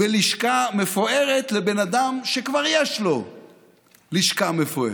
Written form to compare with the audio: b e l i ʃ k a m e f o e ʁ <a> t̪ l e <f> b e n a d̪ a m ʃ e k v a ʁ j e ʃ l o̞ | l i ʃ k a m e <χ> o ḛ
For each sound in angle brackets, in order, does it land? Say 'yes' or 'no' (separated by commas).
no, no, no